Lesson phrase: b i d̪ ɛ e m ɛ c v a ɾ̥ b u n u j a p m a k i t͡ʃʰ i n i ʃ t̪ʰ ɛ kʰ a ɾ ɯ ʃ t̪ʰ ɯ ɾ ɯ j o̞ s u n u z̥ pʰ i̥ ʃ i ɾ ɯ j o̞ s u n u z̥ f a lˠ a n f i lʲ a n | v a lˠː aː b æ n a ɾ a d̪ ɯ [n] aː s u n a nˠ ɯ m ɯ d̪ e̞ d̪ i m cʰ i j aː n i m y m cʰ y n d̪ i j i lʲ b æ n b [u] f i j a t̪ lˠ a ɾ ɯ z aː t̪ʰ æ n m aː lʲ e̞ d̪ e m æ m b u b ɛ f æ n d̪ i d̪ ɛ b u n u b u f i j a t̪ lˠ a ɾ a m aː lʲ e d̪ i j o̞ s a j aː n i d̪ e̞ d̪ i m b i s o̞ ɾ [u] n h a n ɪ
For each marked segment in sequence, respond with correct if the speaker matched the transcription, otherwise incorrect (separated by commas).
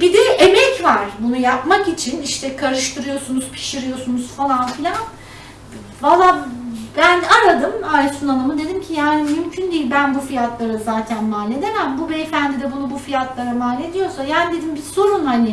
incorrect, correct, correct